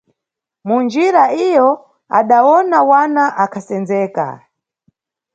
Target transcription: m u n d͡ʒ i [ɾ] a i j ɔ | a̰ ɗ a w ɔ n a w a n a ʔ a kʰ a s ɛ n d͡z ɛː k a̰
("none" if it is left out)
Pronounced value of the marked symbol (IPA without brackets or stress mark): ɾ